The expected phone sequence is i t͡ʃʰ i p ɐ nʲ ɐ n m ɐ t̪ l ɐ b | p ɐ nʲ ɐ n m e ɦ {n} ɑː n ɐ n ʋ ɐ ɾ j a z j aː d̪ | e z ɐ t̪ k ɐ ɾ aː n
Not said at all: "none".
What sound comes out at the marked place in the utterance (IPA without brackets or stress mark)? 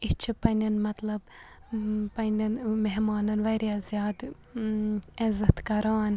m